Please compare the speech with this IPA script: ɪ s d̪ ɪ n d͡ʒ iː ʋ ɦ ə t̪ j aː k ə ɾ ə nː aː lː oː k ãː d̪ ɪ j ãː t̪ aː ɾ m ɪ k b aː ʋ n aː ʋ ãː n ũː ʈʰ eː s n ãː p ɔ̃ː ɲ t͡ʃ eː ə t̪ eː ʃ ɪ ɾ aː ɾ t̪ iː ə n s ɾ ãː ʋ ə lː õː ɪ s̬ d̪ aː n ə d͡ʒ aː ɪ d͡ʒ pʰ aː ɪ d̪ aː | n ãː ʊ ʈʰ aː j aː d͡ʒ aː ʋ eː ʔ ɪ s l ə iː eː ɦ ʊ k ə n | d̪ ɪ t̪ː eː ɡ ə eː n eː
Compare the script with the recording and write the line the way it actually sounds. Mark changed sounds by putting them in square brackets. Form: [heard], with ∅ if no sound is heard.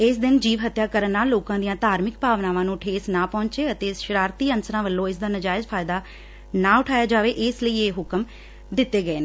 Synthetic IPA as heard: ɪ s d̪ ɪ n d͡ʒ iː ʋ ɦ ə t̪ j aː k ə ɾ ə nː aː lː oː k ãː d̪ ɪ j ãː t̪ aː ɾ m ɪ k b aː ʋ n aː ʋ ãː n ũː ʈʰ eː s n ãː p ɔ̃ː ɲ t͡ʃ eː ə t̪ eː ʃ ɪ ɾ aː ɾ t̪ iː ə n s ɾ ãː ʋ ə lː õː ɪ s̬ d̪ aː n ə d͡ʒ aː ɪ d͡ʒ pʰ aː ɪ d̪ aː | n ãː ʊ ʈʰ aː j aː d͡ʒ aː ʋ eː ʔ ɪ s l ə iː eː ɦ ʊ k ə [m] | d̪ ɪ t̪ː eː ɡ ə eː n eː